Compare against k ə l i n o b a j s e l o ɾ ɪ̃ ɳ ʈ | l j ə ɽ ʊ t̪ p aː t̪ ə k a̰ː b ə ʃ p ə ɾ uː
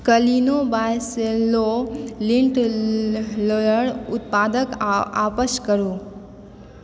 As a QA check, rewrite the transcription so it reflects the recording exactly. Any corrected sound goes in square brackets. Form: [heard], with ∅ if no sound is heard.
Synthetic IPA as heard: k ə l i n o b a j s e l o [l] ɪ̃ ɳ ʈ | l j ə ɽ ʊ t̪ p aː [d̪] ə k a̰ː [p] ə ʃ [k] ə ɾ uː